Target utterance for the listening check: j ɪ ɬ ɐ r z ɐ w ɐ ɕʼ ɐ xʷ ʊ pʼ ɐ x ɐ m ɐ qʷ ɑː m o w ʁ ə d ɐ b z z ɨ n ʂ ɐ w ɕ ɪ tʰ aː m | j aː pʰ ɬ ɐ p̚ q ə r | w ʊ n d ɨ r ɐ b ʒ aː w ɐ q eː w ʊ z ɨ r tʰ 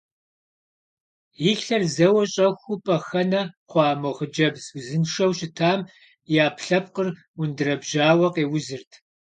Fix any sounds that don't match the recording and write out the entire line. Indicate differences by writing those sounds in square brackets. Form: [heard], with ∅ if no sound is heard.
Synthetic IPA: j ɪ ɬ ɐ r z ɐ w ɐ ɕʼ ɐ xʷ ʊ pʼ ɐ x ɐ [n] ɐ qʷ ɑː m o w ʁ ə [d͡ʒ] ɐ b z z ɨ n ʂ ɐ w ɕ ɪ tʰ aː m | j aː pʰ ɬ ɐ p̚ q ə r | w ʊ n d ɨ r ɐ b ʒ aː w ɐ q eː w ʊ z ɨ r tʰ